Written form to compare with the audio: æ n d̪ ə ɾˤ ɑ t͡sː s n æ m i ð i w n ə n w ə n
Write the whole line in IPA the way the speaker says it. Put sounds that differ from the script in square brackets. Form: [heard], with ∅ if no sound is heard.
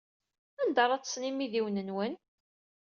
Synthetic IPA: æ n d̪ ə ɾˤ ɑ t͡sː s n [i] m i ð i w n ə n w ə n